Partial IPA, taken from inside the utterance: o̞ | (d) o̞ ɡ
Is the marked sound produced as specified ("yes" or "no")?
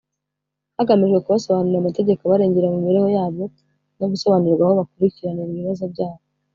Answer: no